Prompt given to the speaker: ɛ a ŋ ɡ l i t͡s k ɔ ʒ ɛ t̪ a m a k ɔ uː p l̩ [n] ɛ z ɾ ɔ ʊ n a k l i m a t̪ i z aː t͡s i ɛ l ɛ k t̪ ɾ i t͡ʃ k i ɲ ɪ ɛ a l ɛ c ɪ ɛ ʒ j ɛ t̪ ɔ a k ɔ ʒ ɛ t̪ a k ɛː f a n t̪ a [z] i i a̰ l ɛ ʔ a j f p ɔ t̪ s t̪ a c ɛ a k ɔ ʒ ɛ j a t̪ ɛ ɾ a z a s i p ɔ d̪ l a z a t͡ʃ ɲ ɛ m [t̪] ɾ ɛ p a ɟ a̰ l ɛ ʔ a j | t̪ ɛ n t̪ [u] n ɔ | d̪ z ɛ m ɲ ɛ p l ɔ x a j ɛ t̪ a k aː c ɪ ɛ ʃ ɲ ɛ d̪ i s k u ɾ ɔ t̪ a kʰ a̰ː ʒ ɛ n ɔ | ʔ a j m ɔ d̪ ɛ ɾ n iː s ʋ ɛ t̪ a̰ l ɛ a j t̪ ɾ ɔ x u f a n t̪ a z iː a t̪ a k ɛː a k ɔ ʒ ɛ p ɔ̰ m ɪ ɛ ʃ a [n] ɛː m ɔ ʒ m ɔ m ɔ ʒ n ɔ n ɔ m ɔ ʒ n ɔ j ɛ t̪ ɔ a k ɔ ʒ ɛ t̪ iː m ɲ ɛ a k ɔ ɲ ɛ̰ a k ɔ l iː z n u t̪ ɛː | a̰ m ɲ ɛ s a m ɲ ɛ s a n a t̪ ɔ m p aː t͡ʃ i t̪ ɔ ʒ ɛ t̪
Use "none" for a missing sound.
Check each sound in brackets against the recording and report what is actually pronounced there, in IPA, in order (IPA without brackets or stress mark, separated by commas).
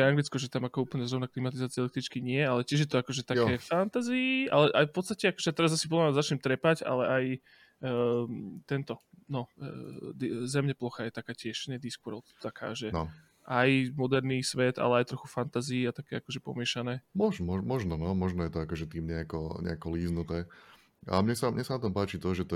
ɲ, z, t̪, ɔ, n